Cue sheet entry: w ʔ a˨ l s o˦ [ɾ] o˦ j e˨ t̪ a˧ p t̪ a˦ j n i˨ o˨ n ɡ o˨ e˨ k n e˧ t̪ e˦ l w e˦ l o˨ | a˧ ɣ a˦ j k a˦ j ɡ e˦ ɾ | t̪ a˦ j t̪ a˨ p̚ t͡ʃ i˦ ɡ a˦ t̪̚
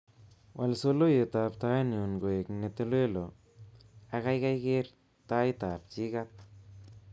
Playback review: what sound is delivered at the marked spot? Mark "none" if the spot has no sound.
l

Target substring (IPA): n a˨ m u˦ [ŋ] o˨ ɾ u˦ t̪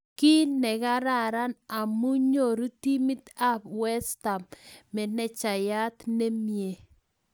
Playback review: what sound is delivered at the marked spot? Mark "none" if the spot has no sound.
ɲ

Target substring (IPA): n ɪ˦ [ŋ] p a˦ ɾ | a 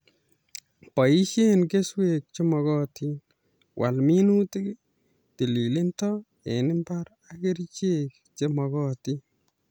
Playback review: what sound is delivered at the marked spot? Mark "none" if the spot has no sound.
m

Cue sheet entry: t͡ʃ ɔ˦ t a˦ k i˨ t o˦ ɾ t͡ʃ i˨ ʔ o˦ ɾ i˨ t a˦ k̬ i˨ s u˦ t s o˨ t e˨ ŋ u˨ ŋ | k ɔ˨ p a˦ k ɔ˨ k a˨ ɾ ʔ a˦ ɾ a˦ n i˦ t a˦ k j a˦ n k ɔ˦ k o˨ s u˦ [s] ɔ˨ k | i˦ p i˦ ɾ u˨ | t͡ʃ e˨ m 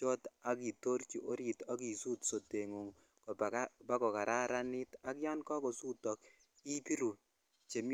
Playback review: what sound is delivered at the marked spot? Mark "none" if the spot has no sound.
t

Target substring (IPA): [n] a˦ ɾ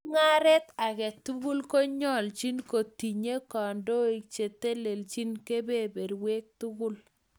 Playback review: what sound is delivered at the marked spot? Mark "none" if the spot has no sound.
ŋ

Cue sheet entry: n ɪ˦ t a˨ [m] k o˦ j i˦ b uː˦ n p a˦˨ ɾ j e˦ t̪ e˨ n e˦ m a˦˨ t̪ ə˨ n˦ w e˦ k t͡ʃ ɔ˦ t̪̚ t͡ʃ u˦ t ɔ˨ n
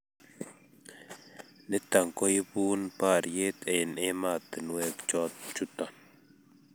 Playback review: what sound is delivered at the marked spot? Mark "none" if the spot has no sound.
ŋ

